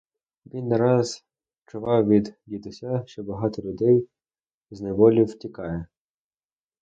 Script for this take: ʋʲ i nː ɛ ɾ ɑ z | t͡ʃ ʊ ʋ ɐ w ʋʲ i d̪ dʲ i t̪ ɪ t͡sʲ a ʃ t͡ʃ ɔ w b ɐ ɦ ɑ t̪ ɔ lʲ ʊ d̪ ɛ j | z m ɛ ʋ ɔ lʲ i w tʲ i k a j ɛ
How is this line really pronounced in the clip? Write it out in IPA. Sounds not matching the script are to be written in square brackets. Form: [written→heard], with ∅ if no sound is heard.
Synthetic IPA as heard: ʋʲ i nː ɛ ɾ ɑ z | t͡ʃ ʊ ʋ [ɐ→ɑ] w ʋʲ i d̪ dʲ i t̪ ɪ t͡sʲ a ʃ t͡ʃ ɔ [w→∅] b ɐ ɦ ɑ t̪ ɔ lʲ ʊ d̪ ɛ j | z [m→n] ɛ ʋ ɔ lʲ i w tʲ i k [a→ɑ] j ɛ

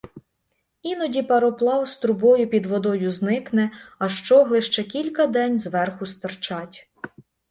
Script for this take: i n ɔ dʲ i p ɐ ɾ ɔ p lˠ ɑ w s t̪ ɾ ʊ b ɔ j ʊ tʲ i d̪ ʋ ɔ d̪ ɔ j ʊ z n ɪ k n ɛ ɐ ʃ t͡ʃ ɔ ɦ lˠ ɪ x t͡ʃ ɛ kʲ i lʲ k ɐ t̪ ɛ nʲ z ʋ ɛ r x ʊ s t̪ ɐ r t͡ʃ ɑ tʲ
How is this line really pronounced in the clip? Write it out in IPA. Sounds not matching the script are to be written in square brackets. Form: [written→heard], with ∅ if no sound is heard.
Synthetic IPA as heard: i n ɔ dʲ i p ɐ ɾ ɔ p lˠ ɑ w s t̪ ɾ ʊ b ɔ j ʊ [tʲ→pʲ] i d̪ ʋ ɔ d̪ ɔ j ʊ z n ɪ k n ɛ ɐ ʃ t͡ʃ ɔ ɦ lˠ ɪ [x→ʃ] t͡ʃ ɛ kʲ i lʲ k ɐ [t̪→d̪] ɛ nʲ z ʋ ɛ r x ʊ s t̪ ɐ r t͡ʃ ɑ tʲ

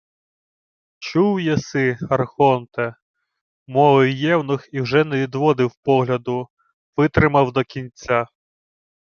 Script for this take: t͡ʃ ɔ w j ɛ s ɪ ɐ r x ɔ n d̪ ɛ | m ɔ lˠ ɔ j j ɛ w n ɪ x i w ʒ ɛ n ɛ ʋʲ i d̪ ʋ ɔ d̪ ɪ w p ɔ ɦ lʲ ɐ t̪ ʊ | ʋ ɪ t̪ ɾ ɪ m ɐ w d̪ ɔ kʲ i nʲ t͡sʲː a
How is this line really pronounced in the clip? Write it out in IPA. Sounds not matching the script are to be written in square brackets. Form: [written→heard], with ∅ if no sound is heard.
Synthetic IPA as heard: t͡ʃ [ɔ→u] w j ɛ s ɪ ɐ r x ɔ n [d̪→t̪] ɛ | m ɔ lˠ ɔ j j ɛ w n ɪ x i w ʒ ɛ n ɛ ʋʲ i d̪ ʋ ɔ d̪ ɪ w p ɔ ɦ lʲ ɐ [t̪→d̪] ʊ | ʋ ɪ t̪ ɾ ɪ m ɐ w d̪ ɔ kʲ i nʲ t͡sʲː a

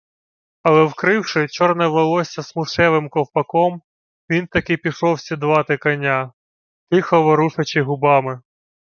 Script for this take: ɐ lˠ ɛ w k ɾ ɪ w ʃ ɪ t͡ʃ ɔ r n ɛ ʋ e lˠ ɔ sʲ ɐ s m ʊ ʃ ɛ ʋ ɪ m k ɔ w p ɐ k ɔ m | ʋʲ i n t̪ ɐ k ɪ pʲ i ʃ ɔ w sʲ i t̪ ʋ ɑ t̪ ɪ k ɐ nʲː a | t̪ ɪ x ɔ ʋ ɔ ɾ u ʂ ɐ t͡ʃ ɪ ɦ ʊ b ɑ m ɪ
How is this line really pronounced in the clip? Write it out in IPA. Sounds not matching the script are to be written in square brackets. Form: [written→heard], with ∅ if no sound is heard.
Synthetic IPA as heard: ɐ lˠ ɛ w k ɾ ɪ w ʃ ɪ t͡ʃ ɔ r n ɛ ʋ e lˠ ɔ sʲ ɐ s m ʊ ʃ ɛ ʋ ɪ m k ɔ w p ɐ k ɔ m | ʋʲ i n t̪ ɐ k ɪ pʲ i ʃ ɔ w sʲ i [t̪→d̪] ʋ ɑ t̪ ɪ k ɐ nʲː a | t̪ ɪ x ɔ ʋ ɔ ɾ u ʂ ɐ t͡ʃ ɪ ɦ ʊ b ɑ m ɪ

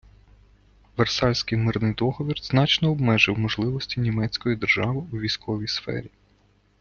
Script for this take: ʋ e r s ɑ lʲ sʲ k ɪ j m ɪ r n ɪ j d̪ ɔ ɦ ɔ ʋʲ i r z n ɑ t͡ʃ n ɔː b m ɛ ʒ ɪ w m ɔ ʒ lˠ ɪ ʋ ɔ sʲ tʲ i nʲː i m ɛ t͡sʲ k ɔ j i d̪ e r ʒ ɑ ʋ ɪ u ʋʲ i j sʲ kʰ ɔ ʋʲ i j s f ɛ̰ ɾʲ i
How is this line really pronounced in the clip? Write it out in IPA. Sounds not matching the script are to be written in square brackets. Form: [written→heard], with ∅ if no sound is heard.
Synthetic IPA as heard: ʋ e r s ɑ lʲ sʲ k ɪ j m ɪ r n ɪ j d̪ ɔ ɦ ɔ ʋʲ i r z n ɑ t͡ʃ n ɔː b m ɛ ʒ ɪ w m ɔ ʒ lˠ ɪ ʋ ɔ sʲ tʲ i [nʲː→nʲ] i m ɛ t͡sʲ k ɔ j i d̪ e r ʒ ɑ ʋ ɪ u ʋʲ i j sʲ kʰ ɔ ʋʲ i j s f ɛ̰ ɾʲ i

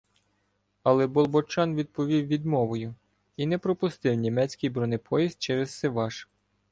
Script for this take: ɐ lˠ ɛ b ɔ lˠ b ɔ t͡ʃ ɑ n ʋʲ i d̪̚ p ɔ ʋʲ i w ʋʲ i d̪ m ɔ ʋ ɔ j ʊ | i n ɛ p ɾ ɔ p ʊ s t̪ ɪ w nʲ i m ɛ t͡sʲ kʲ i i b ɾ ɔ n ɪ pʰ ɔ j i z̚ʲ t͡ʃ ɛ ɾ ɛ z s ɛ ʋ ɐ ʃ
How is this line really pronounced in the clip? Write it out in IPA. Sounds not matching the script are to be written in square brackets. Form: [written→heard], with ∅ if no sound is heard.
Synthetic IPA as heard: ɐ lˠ ɛ b ɔ lˠ b ɔ t͡ʃ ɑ n ʋʲ i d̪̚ p ɔ ʋʲ i w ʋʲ i d̪ m ɔ ʋ ɔ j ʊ | i n ɛ p ɾ ɔ p ʊ s t̪ ɪ w nʲ i m ɛ t͡sʲ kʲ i [i→j] b ɾ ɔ n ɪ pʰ ɔ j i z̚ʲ t͡ʃ ɛ ɾ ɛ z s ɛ ʋ [ɐ→ɑ] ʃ

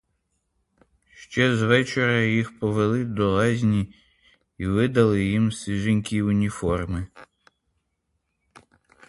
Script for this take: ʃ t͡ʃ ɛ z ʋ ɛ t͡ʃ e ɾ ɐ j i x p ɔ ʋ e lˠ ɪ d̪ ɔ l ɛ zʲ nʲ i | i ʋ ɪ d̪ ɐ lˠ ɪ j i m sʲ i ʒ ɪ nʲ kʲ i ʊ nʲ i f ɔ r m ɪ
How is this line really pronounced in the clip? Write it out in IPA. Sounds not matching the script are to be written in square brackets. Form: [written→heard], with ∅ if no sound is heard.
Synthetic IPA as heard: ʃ t͡ʃ ɛ z ʋ ɛ t͡ʃ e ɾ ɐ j i x p ɔ ʋ e lˠ ɪ d̪ ɔ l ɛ zʲ nʲ i | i ʋ ɪ d̪ ɐ lˠ ɪ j i m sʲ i ʒ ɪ nʲ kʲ i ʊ nʲ i f ɔ r m ɪ

